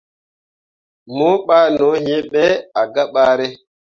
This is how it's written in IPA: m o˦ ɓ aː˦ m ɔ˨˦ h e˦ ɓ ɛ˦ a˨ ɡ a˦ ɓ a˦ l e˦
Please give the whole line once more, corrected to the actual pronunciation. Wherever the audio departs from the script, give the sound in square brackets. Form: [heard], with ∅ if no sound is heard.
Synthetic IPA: m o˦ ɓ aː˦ [n] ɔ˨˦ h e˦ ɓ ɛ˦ a˨ ɡ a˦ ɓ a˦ [ɾ] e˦